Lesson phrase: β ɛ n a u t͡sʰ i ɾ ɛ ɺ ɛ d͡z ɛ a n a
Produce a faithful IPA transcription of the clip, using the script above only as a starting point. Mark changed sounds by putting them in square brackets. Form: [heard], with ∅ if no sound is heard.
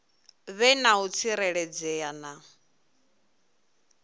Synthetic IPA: β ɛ n a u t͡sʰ i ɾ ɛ ɺ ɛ d͡z ɛ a n a